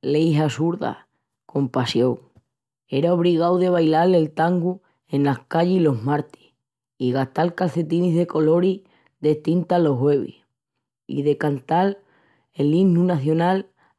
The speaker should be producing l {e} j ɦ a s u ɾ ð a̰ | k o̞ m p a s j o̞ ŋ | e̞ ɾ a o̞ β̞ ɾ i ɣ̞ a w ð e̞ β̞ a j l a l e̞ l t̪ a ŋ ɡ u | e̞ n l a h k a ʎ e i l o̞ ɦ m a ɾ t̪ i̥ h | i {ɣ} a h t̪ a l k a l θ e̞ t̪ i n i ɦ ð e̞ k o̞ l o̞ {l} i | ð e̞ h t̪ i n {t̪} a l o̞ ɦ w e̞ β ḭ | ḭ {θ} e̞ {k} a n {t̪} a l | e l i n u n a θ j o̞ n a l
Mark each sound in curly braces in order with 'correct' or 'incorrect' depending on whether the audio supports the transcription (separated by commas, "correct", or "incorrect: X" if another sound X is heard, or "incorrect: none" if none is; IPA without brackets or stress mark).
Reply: correct, correct, incorrect: ɾ, correct, incorrect: ð, correct, correct